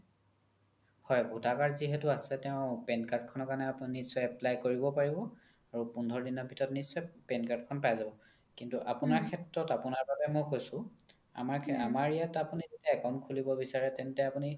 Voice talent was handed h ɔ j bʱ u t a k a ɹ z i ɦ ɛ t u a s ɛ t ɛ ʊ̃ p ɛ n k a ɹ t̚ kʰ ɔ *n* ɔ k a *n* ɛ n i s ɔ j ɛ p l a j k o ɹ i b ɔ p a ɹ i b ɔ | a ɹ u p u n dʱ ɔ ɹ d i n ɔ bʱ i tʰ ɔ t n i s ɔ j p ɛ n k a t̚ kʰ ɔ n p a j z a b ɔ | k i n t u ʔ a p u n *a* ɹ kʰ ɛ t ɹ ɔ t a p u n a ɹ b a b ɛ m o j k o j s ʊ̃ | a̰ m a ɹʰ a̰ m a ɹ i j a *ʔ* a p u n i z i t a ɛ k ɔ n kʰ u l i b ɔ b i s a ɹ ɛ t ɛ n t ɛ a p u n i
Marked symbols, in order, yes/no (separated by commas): yes, yes, yes, no